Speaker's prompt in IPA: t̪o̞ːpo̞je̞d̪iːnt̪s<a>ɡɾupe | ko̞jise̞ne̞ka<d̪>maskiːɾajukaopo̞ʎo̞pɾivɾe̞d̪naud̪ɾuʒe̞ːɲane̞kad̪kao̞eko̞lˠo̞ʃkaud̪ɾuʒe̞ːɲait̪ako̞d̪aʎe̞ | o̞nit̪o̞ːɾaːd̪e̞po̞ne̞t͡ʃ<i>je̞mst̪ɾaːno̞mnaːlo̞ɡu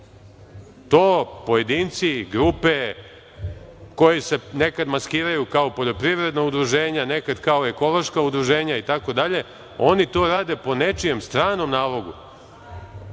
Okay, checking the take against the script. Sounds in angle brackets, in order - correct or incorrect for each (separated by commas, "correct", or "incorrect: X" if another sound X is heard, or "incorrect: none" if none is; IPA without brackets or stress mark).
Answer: incorrect: i, correct, correct